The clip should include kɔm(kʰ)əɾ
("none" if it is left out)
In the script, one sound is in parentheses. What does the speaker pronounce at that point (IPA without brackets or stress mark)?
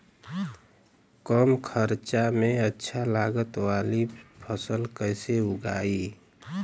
kʰ